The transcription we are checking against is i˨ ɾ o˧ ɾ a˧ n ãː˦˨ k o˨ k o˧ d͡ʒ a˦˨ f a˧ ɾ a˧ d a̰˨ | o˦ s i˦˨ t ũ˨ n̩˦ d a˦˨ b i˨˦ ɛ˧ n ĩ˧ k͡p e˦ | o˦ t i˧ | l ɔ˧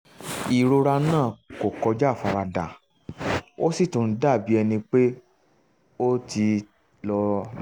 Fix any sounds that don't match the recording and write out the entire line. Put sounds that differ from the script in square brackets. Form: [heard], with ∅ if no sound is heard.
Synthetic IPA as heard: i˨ ɾ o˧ ɾ a˧ n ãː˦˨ k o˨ k [ɔ˧] d͡ʒ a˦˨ f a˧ ɾ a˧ d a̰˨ | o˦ s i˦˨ t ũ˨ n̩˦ d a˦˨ b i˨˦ ɛ˧ n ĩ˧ k͡p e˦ | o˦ t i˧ | l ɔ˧